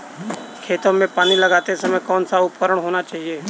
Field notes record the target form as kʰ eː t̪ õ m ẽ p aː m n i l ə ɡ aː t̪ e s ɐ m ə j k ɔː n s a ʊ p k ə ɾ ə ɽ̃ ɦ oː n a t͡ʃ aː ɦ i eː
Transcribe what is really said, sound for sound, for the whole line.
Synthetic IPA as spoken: kʰ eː t̪ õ m ẽ p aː n i l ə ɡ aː t̪ e s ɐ m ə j k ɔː n s a ʊ p k ə ɾ ə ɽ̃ ɦ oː n a t͡ʃ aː ɦ i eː